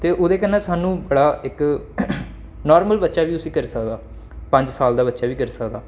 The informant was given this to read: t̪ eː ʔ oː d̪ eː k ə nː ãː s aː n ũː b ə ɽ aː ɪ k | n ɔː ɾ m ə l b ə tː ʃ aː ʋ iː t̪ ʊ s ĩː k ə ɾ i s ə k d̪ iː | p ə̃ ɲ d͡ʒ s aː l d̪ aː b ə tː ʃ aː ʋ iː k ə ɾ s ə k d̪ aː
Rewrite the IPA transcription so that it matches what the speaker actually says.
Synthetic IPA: t̪ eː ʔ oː d̪ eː k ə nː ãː s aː n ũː b ə ɽ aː ɪ k | n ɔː ɾ m ə l b ə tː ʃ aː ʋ iː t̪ ʊ s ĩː k ə ɾ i s ə k d̪ aː | p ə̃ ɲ d͡ʒ s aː l d̪ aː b ə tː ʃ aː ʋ iː k ə ɾ s ə k d̪ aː